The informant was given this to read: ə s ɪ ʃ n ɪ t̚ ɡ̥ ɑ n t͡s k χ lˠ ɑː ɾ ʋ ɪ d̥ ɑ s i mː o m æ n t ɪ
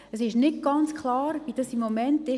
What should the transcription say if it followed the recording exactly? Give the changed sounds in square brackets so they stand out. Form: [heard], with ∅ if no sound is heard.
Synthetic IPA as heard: ə s ɪ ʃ n ɪ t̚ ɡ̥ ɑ n t͡s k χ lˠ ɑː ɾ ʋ [i] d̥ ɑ s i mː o m [ɛ] n t ɪ